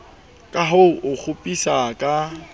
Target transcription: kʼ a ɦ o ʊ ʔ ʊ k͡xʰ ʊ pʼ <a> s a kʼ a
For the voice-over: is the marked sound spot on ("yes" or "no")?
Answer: no